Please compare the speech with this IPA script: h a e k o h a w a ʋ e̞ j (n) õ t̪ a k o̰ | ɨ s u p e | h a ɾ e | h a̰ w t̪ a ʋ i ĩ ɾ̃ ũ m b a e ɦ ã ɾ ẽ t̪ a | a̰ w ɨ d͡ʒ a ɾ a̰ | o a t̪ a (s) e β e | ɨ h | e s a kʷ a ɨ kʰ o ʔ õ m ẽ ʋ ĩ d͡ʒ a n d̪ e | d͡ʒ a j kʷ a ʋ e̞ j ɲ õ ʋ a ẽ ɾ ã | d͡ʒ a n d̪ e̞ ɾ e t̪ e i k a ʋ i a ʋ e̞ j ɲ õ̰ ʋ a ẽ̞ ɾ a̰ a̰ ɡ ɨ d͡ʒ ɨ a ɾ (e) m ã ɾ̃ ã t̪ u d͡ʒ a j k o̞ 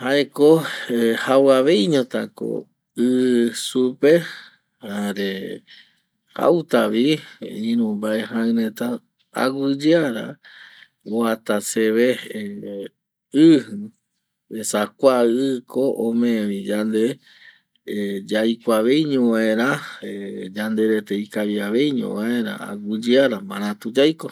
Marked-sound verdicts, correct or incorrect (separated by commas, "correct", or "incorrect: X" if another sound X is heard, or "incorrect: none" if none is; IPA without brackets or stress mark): incorrect: ɲ, correct, incorrect: a